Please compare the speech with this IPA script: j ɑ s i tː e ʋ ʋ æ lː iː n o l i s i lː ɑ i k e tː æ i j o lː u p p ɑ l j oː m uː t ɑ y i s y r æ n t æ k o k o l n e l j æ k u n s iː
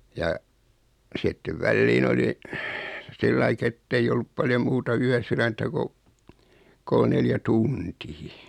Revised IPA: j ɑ s i tː e ʋ ʋ æ lː iː n o l i s i lː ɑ i k e tː e i j o lː u p p ɑ l j o m uː t ɑ y æ s y r æ n t æ k o k o l n e l j æ t u n t iː